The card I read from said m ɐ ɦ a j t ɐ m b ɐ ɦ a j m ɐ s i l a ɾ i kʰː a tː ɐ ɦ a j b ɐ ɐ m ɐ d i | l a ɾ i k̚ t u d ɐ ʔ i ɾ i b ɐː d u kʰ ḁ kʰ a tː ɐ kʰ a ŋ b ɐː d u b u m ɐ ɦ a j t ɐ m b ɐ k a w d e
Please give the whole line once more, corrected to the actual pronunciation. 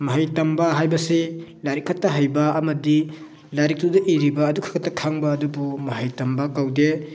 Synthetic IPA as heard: m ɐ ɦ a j t ɐ m b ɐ ɦ a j b ɐ s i l a ɾ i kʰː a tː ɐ ɦ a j b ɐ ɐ m ɐ d i | l a ɾ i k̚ t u d ɐ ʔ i ɾ i b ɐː d u kʰ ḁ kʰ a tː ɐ kʰ a ŋ b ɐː d u b u m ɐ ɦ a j t ɐ m b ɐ k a w d e